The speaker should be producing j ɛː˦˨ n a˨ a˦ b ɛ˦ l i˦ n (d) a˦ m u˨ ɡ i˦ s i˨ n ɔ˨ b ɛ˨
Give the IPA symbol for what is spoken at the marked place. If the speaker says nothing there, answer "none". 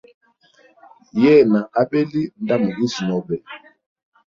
d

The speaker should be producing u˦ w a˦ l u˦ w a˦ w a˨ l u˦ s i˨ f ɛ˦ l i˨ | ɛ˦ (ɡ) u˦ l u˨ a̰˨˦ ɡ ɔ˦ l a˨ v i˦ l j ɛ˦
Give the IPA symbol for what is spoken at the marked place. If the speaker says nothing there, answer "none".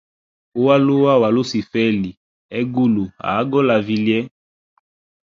ɡ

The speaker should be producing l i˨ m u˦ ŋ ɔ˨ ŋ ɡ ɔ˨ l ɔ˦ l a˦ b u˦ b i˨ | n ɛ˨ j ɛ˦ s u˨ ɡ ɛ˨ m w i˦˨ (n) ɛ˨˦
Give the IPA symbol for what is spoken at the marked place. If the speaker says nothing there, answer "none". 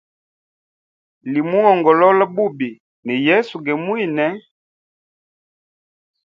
n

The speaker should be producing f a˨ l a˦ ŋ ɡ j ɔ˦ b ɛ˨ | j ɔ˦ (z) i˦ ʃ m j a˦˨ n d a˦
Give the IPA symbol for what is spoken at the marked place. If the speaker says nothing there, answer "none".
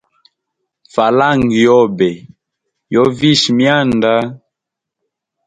v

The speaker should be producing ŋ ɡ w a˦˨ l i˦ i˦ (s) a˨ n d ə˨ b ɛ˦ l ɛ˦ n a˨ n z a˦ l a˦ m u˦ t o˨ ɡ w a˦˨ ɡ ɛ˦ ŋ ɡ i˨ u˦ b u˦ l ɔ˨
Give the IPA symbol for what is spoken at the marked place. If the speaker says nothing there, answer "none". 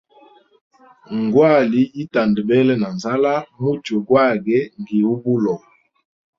t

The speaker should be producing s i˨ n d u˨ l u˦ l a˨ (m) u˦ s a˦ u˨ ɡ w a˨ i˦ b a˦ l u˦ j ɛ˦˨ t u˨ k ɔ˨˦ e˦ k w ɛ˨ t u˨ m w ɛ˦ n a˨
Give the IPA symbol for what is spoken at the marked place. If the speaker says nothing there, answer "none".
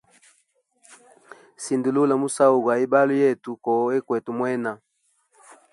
m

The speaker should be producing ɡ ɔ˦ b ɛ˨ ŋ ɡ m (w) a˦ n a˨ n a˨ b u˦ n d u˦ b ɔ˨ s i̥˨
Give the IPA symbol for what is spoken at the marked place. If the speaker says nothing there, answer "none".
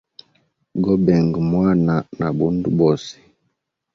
w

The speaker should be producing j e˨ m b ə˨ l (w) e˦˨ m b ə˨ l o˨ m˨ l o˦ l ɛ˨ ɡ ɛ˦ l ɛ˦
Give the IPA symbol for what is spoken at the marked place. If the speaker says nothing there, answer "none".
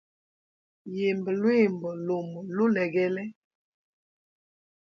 w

